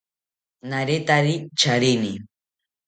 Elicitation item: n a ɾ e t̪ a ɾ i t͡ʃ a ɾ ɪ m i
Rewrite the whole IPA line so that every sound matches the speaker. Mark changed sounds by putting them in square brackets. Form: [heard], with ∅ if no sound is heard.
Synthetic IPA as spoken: n a ɾ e t̪ a ɾ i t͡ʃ a ɾ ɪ [n] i